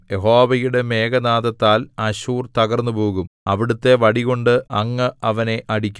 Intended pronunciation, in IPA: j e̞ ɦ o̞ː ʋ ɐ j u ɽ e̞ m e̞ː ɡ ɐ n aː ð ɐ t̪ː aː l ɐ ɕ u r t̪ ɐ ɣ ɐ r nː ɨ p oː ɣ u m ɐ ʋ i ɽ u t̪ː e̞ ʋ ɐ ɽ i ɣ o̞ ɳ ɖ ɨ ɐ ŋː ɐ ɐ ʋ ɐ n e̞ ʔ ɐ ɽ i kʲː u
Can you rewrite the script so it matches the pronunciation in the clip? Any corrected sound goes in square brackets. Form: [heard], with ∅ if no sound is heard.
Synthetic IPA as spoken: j e̞ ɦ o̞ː ʋ ɐ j u ɽ e̞ m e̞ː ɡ ɐ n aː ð ɐ t̪ː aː l ɐ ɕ [uː] r t̪ ɐ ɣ ɐ r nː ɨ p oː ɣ u m ɐ ʋ i ɽ u t̪ː e̞ ʋ ɐ ɽ i ɣ o̞ ɳ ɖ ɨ ɐ ŋː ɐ ɐ ʋ ɐ n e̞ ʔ ɐ ɽ i kʲː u